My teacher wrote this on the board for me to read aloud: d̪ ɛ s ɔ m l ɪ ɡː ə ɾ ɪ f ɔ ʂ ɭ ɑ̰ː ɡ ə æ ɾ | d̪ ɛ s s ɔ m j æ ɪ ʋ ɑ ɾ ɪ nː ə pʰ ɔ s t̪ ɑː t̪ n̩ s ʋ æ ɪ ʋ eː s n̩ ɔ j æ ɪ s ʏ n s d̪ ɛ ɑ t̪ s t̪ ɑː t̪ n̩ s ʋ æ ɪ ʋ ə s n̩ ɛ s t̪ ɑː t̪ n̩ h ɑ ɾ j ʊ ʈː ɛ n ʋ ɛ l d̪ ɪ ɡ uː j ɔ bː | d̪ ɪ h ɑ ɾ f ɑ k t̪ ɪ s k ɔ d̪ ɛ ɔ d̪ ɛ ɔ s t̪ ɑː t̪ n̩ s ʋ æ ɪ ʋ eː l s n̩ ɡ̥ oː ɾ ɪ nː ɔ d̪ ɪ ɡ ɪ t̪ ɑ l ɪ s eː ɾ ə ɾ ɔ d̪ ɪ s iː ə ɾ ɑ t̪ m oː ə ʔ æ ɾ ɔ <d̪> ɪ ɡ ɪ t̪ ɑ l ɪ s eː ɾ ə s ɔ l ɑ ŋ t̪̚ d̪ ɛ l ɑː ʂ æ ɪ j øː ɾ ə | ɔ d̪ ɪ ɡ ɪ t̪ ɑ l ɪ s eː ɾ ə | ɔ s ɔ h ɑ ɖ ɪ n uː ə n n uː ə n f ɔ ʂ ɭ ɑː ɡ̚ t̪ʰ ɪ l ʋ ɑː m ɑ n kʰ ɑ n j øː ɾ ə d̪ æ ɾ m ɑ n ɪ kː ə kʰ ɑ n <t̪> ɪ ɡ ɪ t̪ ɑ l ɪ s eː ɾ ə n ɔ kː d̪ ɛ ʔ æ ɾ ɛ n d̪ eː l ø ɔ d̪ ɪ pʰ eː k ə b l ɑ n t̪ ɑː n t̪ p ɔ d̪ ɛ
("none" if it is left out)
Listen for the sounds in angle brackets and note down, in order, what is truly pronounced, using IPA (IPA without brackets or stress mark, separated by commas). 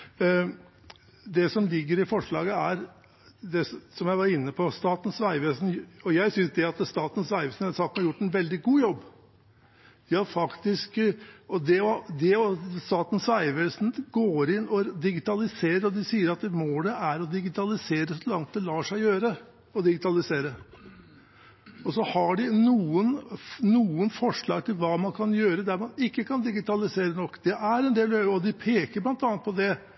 d̪, d̪